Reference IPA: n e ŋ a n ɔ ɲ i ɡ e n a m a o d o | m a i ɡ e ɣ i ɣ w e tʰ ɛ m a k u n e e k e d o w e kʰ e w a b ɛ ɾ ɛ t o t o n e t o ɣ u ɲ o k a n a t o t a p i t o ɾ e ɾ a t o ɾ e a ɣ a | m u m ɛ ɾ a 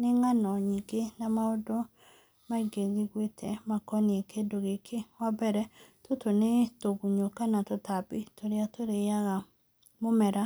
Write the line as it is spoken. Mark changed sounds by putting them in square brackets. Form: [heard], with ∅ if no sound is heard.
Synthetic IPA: n e ŋ a n ɔ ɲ i ɡ e n a m a o d o | m a i ɡ e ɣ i ɣ w e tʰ ɛ m a k [ɔ] n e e k e d o [ɣ] e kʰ e w a b ɛ ɾ ɛ t o t o n e t o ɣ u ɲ o k a n a t o t a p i t o ɾ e [∅] a t o ɾ e a ɣ a | m [o] m ɛ ɾ a